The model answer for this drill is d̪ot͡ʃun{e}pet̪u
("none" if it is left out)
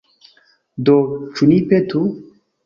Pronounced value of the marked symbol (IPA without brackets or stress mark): i